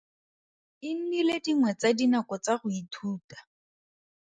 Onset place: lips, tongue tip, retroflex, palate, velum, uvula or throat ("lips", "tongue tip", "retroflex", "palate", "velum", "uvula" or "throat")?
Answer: tongue tip